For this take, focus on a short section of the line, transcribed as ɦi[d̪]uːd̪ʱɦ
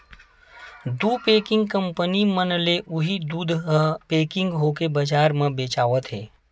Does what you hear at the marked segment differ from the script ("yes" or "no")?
no